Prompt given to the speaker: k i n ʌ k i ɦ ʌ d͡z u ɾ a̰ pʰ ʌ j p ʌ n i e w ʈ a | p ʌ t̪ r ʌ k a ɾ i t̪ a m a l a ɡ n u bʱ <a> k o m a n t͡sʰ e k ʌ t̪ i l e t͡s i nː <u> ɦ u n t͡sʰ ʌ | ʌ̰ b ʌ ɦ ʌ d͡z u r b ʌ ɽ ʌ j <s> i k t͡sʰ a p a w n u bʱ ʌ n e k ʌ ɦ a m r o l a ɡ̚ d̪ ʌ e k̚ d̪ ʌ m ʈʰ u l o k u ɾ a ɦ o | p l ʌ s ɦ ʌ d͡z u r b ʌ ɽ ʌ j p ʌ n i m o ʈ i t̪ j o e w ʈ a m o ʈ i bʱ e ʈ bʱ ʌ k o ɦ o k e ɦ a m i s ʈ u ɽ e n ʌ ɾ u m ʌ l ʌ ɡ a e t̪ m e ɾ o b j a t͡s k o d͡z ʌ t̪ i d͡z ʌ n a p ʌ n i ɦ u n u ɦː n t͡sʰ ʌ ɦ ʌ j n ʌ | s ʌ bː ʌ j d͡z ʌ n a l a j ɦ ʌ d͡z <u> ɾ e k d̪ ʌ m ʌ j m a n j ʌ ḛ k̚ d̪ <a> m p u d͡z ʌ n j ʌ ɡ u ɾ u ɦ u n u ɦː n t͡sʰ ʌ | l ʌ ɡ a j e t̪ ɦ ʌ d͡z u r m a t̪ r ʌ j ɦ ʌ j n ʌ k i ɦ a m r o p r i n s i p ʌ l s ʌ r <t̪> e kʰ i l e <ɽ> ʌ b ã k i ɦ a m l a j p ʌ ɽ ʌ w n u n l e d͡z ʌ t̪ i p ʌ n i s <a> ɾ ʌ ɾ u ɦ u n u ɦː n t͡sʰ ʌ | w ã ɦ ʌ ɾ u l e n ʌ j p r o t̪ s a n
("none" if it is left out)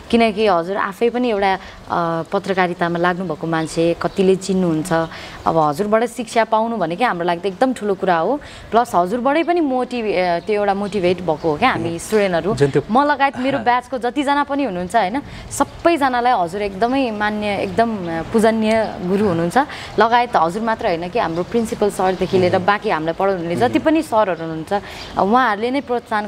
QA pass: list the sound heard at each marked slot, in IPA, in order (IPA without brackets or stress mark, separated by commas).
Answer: ʌ, u, s, u, ʌ, d̪, ɾ, ʌ